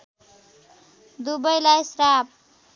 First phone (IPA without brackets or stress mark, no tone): d̪